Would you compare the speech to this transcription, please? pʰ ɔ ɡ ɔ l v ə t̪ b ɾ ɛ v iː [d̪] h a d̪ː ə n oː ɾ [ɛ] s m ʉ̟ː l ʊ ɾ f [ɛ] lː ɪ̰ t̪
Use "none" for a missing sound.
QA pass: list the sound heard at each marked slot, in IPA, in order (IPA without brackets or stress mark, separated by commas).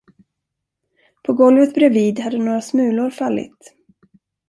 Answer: d̪, a, a